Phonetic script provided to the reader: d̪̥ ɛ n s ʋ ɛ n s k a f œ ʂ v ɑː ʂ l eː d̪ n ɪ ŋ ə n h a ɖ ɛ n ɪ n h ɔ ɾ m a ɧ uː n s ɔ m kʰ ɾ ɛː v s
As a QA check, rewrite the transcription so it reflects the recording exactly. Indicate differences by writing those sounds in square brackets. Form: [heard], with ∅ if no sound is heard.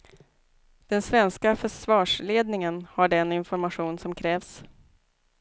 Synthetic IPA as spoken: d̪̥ ɛ n s [v] ɛ n s k a f œ ʂ v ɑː ʂ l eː d̪ n ɪ ŋ ə n h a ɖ ɛ n ɪ n [f] ɔ ɾ m a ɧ uː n s ɔ m kʰ ɾ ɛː v s